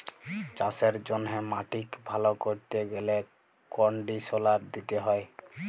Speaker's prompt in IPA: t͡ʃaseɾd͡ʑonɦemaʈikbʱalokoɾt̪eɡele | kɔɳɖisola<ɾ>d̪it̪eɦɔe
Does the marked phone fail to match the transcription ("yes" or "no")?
no